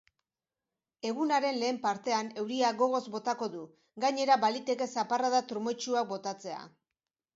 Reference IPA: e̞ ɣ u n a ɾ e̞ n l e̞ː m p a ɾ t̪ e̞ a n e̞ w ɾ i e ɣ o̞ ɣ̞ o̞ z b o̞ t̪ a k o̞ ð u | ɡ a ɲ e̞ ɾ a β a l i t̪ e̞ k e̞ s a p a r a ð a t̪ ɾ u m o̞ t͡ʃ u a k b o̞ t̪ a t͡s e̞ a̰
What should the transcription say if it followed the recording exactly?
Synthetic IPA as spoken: e̞ ɣ u n a ɾ e̞ n l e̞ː m p a ɾ t̪ e̞ a n e̞ w ɾ i a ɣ o̞ ɣ̞ o̞ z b o̞ t̪ a k o̞ ð u | ɡ a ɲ e̞ ɾ a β a l i t̪ e̞ k e̞ s a p a r a ð a t̪ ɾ u m o̞ t͡ʃ u a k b o̞ t̪ a t͡s e̞ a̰